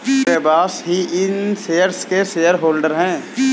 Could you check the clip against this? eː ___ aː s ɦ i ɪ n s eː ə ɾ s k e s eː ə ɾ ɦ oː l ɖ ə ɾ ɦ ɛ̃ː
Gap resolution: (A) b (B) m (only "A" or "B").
A